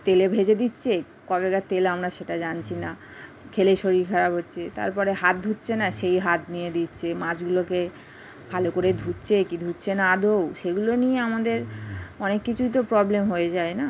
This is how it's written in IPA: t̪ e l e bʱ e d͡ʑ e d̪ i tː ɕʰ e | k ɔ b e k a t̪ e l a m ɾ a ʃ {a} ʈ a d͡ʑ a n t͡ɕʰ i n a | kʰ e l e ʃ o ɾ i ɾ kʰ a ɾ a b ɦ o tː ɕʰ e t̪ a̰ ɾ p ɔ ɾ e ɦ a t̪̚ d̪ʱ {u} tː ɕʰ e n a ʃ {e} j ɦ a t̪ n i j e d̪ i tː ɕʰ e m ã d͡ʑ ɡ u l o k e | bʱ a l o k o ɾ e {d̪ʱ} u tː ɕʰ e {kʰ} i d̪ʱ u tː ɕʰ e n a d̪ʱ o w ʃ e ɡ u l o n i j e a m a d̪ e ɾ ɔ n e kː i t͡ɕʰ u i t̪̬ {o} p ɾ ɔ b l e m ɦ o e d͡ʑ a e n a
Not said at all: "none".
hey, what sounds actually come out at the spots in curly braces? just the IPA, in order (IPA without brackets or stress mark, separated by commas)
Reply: e, u, e, d̪ʱ, k, o